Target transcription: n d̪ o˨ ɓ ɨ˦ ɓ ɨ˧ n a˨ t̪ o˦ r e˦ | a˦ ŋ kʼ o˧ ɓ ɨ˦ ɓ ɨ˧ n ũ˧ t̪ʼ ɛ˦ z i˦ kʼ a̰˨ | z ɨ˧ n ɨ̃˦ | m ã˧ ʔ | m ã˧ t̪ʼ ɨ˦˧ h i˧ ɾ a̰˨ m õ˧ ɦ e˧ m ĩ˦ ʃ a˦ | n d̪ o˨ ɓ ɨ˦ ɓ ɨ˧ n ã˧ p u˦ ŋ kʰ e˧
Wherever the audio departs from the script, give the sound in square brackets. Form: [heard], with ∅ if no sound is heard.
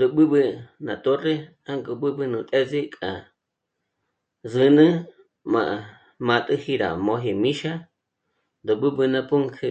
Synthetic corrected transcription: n d̪ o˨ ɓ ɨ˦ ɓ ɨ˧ n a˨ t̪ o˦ r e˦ | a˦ ŋ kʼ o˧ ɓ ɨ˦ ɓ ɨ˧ n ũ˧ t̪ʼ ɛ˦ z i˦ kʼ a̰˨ | z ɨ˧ n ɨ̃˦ | m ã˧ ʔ | m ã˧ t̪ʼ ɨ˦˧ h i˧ ɾ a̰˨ m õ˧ ɦ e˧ m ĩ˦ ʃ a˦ | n d̪ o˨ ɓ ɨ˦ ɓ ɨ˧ n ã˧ p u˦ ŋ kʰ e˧